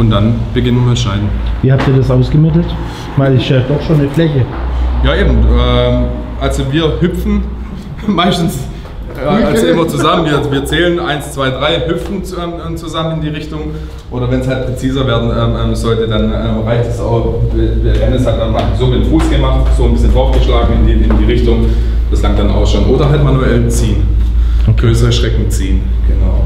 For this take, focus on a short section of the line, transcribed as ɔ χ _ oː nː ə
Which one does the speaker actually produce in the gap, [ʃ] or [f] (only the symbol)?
ʃ